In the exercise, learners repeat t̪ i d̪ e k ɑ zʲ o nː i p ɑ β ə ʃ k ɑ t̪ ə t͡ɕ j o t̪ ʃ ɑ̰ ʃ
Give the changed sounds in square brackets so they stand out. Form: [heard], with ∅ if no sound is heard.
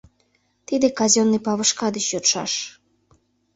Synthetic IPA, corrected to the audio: t̪ i d̪ e k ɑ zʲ o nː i p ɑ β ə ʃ k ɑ [d̪] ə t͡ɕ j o t̪ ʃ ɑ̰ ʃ

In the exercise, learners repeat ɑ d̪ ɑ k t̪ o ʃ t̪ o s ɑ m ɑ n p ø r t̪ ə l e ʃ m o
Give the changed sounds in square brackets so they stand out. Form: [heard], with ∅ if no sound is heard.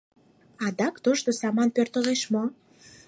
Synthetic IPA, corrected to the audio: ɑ d̪ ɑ k t̪ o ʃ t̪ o s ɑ m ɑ n p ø r t̪ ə l e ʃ m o

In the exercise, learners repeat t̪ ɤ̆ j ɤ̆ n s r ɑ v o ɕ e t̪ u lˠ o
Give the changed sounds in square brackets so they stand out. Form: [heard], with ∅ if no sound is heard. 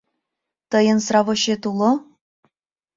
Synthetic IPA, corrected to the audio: t̪ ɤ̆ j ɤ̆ n s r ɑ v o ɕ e t̪ u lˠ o

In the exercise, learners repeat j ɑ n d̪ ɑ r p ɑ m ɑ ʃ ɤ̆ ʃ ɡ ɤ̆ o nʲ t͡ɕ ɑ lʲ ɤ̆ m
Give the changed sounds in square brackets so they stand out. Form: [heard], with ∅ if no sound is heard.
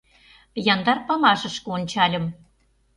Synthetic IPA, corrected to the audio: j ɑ n d̪ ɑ r p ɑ m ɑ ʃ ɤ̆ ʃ [k] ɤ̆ o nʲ t͡ɕ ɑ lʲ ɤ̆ m

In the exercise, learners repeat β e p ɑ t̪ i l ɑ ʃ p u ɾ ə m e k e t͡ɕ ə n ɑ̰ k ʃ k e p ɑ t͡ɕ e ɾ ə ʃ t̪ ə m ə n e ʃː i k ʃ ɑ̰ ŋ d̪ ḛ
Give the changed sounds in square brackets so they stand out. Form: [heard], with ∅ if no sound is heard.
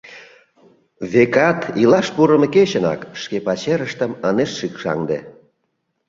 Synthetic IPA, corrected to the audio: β e [k] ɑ t̪ i l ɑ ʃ p u ɾ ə m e k e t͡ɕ ə n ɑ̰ k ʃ k e p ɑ t͡ɕ e ɾ ə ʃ t̪ ə m ə n e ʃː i k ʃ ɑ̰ ŋ d̪ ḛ

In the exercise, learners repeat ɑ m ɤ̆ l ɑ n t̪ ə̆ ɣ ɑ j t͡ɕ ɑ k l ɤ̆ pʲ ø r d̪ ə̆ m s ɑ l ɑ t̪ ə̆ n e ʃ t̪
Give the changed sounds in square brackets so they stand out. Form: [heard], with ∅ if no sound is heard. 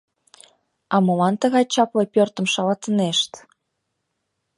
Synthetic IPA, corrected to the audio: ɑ m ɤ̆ l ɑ n t̪ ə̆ ɣ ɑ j t͡ɕ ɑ [p] l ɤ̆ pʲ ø r [t̪] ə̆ m [ʃ] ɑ l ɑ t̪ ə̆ n e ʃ t̪

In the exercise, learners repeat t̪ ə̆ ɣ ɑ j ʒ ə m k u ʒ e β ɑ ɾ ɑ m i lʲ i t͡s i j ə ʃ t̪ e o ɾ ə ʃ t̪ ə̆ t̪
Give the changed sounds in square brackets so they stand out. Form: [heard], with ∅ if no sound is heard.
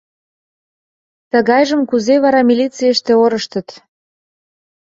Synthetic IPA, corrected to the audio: t̪ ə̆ ɣ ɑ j ʒ ə m k u [z] e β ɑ ɾ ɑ m i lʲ i t͡s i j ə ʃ t̪ e o ɾ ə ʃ t̪ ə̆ t̪

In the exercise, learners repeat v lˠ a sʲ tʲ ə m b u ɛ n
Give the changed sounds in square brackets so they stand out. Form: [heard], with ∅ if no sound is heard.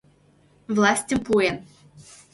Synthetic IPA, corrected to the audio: v lˠ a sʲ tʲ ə m [p] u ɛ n

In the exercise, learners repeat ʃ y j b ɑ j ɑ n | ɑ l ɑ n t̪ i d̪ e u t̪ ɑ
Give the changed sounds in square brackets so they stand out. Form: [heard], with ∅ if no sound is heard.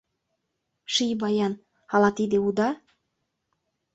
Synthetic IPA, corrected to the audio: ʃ [i] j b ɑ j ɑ n | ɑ l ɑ [∅] t̪ i d̪ e u [d̪] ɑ

